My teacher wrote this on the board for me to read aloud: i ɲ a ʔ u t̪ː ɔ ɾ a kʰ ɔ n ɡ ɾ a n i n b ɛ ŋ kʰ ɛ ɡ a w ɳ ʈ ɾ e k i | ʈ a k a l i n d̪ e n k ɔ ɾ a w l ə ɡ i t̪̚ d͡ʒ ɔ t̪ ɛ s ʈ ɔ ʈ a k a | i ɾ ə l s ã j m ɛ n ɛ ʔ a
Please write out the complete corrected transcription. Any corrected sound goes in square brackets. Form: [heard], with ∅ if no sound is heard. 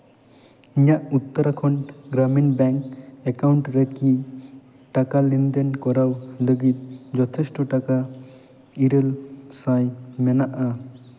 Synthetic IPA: i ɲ a ʔ u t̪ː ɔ ɾ a kʰ ɔ n ɡ ɾ a [m] i n b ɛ ŋ [k] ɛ [k] a w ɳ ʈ ɾ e k i | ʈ a k a l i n d̪ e n k ɔ ɾ a w l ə ɡ i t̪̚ d͡ʒ ɔ [t̪ʰ] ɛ s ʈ ɔ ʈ a k a | i ɾ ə l s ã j m ɛ n [a] ʔ a